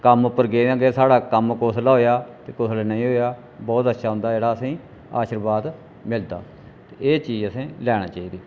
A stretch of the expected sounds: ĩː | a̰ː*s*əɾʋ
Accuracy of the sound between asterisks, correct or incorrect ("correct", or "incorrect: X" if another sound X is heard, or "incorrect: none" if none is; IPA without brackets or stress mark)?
incorrect: ʃ